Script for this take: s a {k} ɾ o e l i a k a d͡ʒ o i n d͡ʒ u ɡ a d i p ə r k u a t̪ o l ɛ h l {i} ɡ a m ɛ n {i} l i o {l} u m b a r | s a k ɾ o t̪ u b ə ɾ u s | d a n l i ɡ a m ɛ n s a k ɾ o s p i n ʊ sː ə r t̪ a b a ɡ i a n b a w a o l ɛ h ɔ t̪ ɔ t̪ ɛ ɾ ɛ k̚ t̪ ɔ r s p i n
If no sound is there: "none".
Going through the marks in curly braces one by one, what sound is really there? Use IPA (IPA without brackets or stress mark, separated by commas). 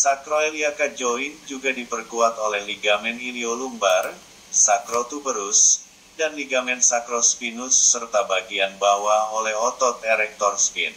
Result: k, i, i, l